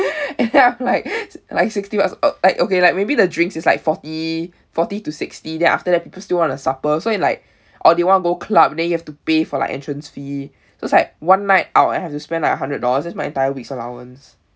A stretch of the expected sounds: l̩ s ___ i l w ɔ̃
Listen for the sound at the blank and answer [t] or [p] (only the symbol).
t